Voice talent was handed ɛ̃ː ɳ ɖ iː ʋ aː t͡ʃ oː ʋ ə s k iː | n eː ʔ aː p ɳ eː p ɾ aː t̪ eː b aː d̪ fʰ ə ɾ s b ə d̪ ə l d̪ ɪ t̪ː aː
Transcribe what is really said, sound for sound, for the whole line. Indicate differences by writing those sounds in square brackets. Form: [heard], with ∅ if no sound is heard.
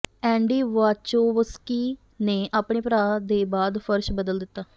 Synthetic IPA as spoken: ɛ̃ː ɳ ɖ iː ʋ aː t͡ʃ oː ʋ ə s k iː | n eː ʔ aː p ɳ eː p ɾ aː [d̪] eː b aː d̪ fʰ ə ɾ [ʃ] b ə d̪ ə l d̪ ɪ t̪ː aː